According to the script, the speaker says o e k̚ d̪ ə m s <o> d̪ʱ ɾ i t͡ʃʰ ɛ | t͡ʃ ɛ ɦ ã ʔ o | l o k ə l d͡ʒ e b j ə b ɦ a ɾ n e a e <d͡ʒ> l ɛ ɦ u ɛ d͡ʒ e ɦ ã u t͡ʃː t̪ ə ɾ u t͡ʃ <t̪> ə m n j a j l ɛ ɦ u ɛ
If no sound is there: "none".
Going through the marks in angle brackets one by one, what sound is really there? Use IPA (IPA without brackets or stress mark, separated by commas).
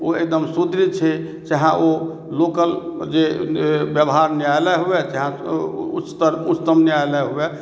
u, none, t̪